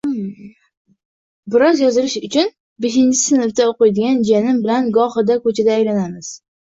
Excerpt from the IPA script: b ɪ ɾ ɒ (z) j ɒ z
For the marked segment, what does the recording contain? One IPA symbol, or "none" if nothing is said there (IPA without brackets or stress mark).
z